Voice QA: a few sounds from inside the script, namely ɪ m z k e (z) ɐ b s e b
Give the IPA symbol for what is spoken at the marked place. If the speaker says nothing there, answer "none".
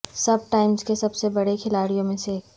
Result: s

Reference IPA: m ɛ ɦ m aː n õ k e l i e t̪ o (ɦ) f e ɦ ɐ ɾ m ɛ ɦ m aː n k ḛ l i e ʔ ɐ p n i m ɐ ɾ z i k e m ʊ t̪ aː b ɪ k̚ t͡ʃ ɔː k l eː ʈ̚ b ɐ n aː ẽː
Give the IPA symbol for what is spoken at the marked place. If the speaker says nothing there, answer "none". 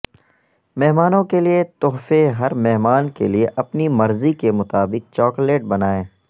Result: ɦ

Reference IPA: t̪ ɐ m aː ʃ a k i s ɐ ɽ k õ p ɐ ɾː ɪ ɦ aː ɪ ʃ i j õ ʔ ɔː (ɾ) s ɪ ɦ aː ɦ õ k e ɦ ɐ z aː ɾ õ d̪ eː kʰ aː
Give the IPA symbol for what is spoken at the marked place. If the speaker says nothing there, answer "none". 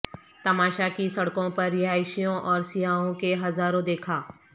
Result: ɾ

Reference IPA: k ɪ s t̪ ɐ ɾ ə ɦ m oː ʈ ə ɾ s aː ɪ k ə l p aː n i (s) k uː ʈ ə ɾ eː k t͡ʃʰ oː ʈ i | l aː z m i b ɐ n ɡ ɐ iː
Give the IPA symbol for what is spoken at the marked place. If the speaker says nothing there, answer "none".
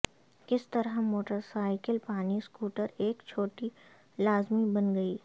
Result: s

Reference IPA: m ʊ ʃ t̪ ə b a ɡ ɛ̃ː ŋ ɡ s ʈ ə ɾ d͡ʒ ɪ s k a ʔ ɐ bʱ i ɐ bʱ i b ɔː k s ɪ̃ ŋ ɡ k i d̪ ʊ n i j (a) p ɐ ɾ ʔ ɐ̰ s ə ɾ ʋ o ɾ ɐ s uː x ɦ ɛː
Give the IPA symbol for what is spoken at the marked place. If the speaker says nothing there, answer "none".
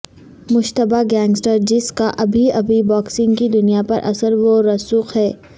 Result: a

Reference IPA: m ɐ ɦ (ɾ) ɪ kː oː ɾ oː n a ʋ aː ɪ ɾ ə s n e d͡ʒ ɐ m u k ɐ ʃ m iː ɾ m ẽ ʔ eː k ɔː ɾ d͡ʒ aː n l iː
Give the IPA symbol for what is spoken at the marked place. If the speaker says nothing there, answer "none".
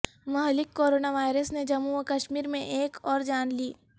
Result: l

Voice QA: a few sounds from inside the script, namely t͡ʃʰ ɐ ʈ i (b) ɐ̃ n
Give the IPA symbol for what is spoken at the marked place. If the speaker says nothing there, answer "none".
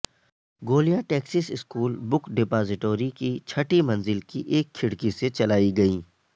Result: m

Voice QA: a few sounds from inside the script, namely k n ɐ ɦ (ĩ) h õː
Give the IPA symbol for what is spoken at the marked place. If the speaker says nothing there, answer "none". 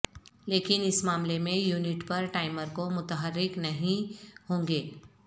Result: ĩ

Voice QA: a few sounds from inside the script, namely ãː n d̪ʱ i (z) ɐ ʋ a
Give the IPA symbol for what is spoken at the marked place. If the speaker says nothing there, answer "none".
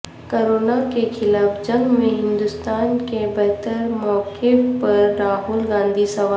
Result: s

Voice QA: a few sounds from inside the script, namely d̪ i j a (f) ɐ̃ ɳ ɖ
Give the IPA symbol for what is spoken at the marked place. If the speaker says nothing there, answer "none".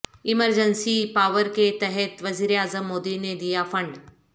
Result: f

